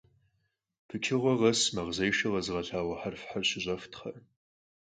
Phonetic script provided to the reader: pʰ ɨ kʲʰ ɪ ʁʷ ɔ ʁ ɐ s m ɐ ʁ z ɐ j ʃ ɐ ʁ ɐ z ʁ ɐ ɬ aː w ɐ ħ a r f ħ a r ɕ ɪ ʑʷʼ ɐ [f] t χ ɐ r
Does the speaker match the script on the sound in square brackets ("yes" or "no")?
yes